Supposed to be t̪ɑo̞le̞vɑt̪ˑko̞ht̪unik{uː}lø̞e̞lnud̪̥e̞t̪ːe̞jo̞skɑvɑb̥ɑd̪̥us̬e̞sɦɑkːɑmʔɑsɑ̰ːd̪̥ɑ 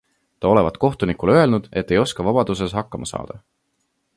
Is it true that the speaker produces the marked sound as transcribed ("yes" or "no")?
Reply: no